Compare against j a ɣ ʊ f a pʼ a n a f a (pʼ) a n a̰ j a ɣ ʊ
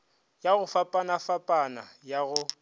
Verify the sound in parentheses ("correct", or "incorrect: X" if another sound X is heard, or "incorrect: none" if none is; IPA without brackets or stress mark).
correct